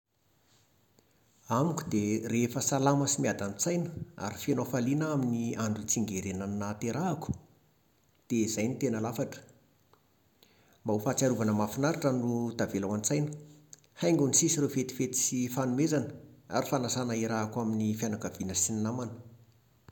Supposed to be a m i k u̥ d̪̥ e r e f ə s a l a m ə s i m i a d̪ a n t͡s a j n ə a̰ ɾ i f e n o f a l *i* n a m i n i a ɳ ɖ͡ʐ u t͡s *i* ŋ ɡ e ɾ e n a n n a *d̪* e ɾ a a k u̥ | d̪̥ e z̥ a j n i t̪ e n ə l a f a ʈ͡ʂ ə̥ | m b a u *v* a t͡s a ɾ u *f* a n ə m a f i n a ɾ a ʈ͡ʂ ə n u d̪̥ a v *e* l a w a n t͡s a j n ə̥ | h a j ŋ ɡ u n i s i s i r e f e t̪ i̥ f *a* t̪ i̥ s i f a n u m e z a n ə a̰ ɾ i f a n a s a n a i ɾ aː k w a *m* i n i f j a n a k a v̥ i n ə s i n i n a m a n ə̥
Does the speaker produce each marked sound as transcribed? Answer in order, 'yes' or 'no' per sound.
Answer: yes, yes, no, no, no, yes, no, yes

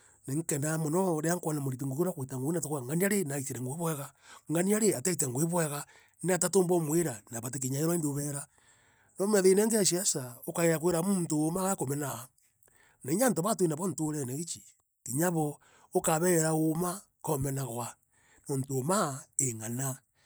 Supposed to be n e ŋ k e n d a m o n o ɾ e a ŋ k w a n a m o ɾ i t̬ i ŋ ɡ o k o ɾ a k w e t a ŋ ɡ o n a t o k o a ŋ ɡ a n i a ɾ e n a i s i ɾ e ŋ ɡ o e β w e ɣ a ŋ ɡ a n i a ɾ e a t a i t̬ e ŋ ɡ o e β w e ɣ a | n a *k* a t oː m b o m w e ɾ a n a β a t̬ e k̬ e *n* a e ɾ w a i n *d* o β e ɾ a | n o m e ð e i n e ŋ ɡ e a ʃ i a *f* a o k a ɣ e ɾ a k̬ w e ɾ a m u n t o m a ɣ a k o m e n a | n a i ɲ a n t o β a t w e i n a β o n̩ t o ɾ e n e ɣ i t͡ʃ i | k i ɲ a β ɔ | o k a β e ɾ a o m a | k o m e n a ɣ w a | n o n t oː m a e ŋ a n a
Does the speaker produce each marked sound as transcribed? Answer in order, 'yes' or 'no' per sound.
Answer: no, no, yes, no

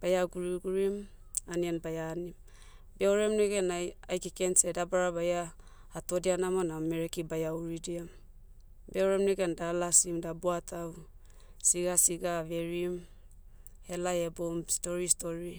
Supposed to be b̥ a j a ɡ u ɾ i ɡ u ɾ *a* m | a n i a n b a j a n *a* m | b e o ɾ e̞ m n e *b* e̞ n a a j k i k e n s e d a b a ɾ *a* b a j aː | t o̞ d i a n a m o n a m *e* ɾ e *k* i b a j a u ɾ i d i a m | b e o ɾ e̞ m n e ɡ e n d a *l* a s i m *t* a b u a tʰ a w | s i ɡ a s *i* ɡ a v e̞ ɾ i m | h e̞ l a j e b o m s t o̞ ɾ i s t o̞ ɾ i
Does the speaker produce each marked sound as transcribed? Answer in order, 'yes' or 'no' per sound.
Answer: no, no, no, yes, yes, yes, yes, no, yes

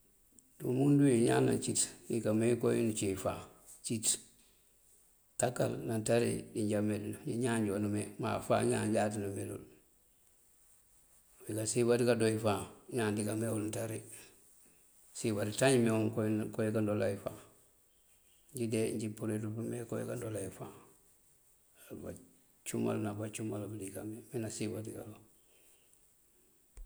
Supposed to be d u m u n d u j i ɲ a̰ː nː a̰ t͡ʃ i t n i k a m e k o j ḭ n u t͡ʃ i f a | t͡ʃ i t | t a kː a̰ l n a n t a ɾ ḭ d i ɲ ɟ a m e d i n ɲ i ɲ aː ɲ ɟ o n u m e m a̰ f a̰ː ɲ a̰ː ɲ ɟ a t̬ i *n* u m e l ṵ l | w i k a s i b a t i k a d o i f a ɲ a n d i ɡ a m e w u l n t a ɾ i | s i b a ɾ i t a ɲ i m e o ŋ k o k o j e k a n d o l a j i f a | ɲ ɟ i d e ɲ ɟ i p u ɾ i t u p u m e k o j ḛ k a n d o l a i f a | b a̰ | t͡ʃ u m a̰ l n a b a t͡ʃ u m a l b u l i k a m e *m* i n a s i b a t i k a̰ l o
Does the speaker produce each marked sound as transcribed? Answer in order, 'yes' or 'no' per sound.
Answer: yes, yes

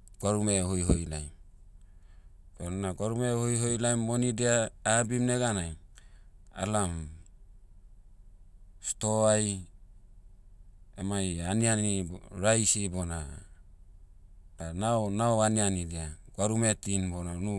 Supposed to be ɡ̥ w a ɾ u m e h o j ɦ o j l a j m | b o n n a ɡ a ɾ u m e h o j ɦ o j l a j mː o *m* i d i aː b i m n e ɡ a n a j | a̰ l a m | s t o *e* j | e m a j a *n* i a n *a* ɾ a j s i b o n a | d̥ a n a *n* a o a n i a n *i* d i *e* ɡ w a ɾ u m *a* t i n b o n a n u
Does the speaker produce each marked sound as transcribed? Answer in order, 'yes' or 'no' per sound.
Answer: no, no, yes, no, yes, yes, no, no

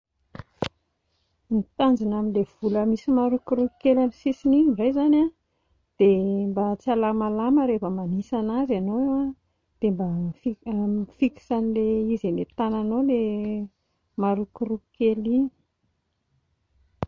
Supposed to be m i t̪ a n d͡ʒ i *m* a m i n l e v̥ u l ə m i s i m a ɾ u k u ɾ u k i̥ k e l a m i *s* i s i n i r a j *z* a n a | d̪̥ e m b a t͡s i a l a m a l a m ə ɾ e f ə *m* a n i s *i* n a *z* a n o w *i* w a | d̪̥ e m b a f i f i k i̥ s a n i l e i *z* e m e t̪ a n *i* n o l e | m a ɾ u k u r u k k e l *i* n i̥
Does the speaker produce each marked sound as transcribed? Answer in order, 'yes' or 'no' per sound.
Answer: no, yes, yes, yes, no, yes, no, yes, no, yes

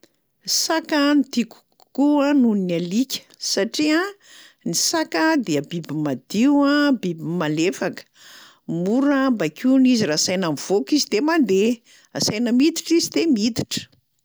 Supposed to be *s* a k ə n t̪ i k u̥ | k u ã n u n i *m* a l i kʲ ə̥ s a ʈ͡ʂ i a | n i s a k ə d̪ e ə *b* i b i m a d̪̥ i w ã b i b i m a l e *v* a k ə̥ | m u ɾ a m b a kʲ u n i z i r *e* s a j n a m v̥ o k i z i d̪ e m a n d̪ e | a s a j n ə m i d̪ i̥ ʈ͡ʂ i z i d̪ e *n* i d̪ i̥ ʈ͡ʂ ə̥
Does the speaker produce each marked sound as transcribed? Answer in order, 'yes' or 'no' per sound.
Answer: yes, no, yes, no, no, no

